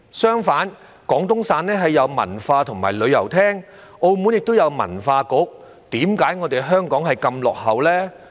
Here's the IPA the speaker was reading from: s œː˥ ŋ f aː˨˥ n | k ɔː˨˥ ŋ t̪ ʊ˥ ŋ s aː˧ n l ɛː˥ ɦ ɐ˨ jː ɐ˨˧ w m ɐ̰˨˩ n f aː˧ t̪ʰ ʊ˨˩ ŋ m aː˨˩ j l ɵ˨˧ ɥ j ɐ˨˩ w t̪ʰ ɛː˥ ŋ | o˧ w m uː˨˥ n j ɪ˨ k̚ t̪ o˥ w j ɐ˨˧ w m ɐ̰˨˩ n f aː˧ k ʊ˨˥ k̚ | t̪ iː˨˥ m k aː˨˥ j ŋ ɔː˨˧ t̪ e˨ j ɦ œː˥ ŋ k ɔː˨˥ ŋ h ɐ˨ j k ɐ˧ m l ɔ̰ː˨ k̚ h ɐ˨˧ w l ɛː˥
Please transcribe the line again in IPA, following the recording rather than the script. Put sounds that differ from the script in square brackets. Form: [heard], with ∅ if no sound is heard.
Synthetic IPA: s œː˥ ŋ f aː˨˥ n | k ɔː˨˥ ŋ t̪ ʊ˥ ŋ s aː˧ n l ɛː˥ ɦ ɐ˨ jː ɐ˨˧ w m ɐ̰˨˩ n f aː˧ t̪ʰ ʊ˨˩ ŋ m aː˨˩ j l ɵ˨˧ ɥ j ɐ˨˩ w t̪ʰ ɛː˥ ŋ | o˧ w m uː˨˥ n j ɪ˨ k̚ t̪ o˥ w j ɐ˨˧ w m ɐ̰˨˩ n f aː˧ k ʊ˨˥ k̚ | t̪ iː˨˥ m k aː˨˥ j ŋ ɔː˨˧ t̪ e˨ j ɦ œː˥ ŋ k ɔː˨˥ ŋ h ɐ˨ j k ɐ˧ m l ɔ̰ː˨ k̚ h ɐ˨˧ w l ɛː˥